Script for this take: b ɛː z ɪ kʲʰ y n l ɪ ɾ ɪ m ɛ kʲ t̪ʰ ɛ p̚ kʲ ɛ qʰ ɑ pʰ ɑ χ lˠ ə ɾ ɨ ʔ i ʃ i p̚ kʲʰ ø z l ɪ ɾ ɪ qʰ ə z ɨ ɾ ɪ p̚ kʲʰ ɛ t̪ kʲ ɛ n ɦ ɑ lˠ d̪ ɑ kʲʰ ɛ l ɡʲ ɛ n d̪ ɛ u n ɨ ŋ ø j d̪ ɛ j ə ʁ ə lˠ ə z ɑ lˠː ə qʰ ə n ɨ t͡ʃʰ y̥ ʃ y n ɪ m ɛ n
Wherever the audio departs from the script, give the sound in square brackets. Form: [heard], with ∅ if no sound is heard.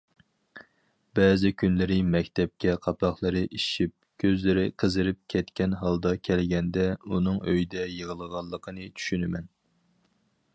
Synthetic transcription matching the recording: b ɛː z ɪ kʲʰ y n l ɪ ɾ ɪ m ɛ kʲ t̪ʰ ɛ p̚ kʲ ɛ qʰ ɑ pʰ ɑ χ lˠ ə ɾ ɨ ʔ i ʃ i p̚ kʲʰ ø z l ɪ ɾ ɪ qʰ ə z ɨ ɾ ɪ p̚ kʲʰ ɛ t̪ kʲ ɛ n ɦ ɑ lˠ d̪ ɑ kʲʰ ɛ l ɡʲ ɛ n d̪ ɛ u n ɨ ŋ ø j d̪ ɛ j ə ʁ ə lˠ ə [ʁ] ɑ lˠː ə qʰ ə n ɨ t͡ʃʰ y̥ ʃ y n ɪ m ɛ n